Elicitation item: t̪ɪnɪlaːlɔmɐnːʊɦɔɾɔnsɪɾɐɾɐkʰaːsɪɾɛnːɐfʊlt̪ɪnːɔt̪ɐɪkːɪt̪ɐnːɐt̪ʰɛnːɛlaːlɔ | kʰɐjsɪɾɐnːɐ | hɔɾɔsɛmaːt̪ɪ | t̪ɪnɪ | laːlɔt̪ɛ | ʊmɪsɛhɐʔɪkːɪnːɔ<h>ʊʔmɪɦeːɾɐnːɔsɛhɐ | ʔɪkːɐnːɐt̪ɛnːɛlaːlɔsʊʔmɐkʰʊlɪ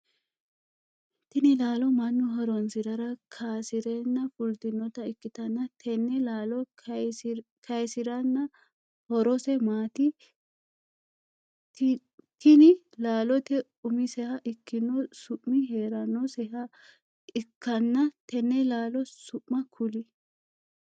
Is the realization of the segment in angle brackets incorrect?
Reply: yes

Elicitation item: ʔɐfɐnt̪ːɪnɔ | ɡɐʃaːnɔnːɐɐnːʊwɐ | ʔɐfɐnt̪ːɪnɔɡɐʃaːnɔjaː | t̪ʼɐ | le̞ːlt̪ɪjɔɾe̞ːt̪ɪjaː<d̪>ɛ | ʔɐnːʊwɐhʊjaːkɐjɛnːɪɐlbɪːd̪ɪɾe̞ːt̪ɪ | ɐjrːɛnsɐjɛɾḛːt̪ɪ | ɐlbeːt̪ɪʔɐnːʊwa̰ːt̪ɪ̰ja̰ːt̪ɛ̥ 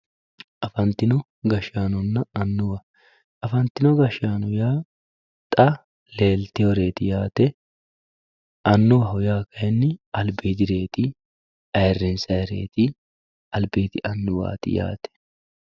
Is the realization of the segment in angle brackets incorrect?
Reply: yes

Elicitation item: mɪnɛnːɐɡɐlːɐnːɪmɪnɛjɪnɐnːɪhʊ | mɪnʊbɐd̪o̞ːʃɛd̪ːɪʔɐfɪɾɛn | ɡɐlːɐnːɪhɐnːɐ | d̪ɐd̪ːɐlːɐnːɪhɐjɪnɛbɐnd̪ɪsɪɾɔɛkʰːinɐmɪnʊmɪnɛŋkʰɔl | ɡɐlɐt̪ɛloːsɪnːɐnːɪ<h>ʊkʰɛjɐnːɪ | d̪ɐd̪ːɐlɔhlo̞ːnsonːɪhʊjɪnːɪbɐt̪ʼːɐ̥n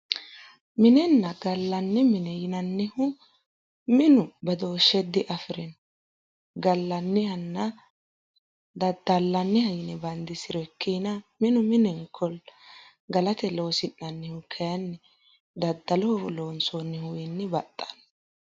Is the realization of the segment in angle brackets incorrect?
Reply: no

